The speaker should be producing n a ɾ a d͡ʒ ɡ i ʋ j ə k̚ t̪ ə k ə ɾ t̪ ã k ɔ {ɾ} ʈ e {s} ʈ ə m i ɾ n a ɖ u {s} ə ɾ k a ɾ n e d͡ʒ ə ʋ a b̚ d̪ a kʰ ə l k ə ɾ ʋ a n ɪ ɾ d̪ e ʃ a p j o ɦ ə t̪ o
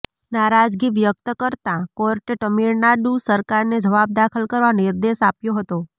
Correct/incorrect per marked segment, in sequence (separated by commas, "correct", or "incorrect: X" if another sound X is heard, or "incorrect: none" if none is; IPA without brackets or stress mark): correct, incorrect: none, correct